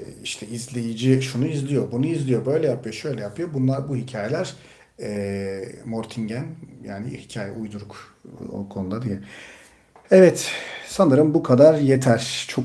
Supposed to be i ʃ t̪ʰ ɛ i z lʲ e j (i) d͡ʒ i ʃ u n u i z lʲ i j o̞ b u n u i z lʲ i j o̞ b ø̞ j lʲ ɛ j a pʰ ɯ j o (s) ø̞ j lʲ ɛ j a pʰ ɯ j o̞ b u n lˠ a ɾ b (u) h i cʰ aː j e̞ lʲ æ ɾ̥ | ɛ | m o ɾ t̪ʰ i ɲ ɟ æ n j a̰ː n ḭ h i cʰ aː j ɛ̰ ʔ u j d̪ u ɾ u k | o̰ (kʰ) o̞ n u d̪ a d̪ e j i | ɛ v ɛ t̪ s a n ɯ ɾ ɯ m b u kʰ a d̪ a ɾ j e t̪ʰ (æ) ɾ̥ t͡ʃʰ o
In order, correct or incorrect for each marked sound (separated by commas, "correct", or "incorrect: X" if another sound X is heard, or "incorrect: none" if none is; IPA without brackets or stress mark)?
correct, incorrect: ʃ, correct, correct, correct